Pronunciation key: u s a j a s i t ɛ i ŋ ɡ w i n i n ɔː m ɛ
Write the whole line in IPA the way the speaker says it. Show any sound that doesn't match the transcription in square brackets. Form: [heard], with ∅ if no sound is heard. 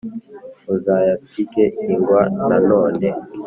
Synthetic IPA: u [z] a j a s i [k] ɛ i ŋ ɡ w [a] n [a] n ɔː [n] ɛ